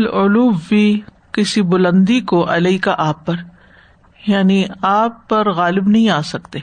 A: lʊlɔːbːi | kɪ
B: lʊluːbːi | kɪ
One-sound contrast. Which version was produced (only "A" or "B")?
B